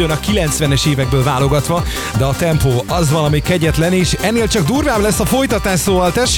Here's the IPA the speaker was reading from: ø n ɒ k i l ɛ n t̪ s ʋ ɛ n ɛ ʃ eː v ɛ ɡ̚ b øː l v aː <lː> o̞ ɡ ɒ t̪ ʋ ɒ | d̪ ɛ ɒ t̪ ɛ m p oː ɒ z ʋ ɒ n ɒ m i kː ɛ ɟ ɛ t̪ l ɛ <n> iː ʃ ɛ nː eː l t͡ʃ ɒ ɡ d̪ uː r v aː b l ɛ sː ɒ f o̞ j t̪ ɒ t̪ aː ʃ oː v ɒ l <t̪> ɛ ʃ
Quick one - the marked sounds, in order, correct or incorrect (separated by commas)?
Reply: incorrect, correct, correct